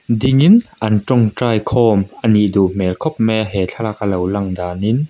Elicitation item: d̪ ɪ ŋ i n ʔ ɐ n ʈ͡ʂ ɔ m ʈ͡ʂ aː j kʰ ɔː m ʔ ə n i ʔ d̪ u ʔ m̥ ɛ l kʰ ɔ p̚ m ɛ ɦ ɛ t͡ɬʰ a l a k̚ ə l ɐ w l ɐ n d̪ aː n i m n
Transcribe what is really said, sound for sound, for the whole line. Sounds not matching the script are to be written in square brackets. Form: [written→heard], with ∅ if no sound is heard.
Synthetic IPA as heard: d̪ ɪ ŋ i n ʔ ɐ n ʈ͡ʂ ɔ [m→ŋ] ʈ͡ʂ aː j kʰ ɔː m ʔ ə n i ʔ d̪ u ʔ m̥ ɛ l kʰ ɔ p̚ m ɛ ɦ ɛ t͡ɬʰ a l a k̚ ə l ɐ w l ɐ [n→ŋ] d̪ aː n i [m→∅] n